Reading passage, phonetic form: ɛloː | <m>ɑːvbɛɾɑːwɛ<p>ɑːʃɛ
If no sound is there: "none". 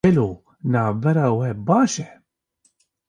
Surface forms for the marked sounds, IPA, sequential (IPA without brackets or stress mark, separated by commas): n, b